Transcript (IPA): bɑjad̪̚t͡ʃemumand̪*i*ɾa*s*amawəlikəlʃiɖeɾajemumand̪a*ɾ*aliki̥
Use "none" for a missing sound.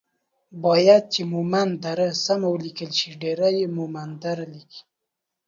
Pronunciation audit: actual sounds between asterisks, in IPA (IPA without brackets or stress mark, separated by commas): a, s, ɾ